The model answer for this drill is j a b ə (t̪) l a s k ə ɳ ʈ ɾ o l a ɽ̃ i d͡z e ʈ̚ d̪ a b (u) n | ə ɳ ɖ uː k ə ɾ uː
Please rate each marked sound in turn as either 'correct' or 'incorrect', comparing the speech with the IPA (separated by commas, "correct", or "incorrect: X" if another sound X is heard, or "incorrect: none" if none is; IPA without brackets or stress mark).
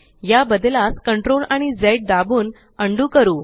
incorrect: d̪, incorrect: uː